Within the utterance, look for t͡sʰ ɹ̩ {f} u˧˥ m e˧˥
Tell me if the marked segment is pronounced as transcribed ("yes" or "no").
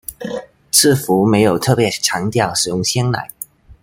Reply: yes